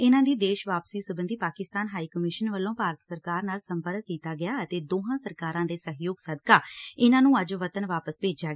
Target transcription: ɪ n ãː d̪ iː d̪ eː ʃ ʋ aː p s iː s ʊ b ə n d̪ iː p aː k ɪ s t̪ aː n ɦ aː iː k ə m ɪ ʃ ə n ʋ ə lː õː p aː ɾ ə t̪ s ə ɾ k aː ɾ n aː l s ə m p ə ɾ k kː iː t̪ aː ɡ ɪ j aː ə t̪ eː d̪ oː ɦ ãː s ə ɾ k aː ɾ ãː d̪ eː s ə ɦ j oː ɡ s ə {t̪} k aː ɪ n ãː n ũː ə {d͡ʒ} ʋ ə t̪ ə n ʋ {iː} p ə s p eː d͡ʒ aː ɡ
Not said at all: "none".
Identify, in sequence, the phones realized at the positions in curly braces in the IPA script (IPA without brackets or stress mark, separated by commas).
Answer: d̪, d͡ʒ, aː